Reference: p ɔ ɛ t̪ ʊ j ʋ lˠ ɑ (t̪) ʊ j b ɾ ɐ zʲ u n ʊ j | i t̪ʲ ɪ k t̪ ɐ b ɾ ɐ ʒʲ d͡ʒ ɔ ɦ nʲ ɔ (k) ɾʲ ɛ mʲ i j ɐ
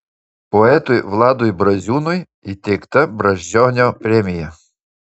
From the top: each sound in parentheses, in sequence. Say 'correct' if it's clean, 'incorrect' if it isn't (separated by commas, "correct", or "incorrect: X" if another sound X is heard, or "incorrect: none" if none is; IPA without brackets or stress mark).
incorrect: d̪, incorrect: p